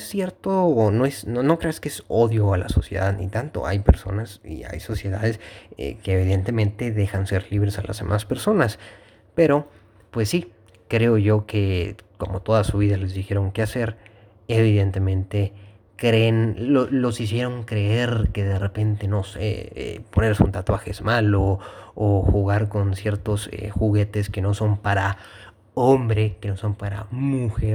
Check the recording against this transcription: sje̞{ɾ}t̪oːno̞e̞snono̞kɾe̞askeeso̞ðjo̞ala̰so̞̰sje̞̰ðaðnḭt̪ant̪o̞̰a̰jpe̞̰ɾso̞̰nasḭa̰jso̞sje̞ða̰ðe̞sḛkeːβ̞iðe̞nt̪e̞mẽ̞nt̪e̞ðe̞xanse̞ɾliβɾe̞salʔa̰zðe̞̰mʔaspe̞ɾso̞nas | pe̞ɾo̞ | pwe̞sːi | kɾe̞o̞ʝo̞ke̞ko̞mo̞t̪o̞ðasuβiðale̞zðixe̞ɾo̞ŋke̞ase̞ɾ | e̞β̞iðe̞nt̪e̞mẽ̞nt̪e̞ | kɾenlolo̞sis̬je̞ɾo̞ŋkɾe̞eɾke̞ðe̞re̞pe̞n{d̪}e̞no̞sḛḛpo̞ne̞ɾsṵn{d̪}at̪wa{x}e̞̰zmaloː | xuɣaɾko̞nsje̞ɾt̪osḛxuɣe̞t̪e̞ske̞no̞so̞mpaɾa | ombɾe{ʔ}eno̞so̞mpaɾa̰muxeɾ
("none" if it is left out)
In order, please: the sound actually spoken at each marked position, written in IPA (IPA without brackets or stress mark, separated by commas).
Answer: ɾ, t̪, t̪, x, k